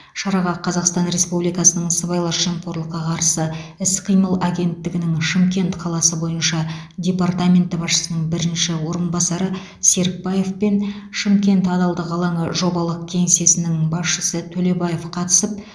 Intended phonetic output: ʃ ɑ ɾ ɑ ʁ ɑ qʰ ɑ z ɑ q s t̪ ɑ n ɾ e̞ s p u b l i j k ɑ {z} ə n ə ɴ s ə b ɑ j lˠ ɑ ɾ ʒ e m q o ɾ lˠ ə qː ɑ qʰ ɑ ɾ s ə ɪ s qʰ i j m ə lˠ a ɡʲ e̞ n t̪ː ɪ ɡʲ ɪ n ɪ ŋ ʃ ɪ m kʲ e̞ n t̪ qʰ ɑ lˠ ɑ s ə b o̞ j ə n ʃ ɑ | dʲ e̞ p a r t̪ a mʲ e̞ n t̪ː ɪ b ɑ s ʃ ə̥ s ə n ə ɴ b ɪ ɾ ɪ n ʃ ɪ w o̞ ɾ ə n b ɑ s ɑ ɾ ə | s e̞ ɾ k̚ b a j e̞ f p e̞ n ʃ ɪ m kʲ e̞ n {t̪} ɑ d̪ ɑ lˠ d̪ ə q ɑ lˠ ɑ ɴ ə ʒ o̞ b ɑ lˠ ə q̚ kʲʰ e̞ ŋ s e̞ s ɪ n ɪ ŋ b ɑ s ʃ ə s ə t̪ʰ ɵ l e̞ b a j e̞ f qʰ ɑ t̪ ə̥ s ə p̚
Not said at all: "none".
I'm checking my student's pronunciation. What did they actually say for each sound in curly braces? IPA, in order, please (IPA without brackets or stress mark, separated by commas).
s, t̪